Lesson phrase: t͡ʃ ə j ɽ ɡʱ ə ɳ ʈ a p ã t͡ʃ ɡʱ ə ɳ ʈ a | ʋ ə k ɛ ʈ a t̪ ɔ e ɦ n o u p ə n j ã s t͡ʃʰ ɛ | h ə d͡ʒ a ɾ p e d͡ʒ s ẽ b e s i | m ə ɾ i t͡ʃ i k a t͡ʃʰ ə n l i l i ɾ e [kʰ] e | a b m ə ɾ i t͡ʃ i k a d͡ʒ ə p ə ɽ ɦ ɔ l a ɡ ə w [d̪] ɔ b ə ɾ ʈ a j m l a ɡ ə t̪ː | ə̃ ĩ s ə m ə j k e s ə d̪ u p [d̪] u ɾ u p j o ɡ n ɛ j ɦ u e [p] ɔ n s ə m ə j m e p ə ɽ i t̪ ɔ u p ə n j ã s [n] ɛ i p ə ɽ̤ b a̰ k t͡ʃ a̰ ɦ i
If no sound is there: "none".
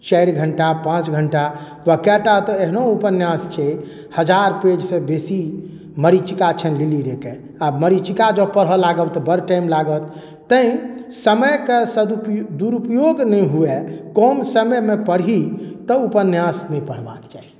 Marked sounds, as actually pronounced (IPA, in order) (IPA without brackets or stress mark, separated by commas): k, t̪, d̪, k, n